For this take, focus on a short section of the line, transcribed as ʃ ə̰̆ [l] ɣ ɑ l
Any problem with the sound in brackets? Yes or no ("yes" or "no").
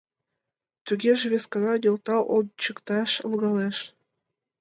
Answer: no